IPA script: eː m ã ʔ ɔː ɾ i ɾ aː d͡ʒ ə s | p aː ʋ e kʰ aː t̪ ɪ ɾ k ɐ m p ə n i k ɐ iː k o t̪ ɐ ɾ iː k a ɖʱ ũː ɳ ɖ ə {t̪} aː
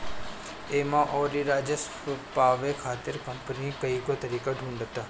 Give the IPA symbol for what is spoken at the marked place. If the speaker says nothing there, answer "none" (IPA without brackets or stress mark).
t̪